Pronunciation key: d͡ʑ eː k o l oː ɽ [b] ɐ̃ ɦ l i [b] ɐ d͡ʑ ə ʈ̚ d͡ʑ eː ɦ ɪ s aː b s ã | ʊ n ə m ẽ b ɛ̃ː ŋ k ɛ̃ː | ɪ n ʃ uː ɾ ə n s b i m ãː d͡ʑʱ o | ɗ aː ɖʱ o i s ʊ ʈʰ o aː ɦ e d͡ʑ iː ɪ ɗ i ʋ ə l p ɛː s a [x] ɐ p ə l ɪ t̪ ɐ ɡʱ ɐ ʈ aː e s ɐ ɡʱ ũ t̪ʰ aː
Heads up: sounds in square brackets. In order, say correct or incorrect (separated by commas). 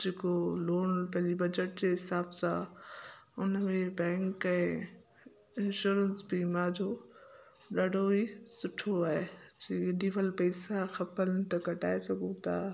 incorrect, correct, correct